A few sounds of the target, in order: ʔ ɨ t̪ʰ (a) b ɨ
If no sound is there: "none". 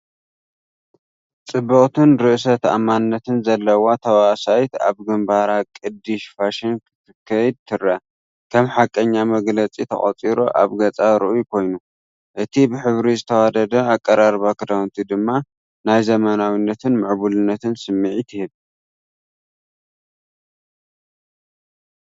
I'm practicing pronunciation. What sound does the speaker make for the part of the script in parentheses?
i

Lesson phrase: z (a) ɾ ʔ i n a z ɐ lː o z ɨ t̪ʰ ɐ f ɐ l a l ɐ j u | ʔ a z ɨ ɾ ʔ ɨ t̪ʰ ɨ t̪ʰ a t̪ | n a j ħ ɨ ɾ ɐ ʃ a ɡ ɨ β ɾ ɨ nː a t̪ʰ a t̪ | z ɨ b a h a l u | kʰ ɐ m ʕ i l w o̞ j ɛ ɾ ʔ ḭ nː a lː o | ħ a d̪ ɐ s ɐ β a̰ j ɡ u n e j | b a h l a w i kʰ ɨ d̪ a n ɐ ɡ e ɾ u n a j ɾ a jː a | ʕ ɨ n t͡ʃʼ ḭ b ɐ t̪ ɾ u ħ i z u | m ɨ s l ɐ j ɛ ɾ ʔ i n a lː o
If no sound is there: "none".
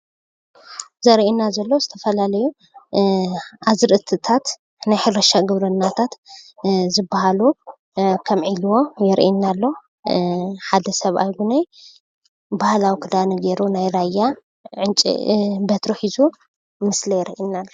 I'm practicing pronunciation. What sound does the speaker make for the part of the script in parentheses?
ɐ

